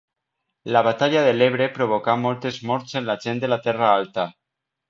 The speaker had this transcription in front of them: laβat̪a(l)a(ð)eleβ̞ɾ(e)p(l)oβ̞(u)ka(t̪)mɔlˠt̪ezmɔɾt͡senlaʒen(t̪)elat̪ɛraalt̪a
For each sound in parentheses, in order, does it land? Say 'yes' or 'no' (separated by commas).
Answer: no, yes, yes, no, no, no, no